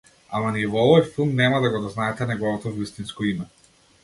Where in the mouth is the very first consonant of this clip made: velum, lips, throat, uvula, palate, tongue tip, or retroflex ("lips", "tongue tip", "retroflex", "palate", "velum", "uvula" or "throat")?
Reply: lips